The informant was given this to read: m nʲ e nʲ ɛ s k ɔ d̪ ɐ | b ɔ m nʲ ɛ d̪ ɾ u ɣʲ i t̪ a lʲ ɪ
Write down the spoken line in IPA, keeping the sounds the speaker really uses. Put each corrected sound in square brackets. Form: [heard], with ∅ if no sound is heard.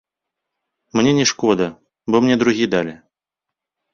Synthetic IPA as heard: m nʲ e nʲ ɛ [ʂ] k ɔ d̪ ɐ | b ɔ m nʲ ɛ d̪ ɾ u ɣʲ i [d̪] a lʲ ɪ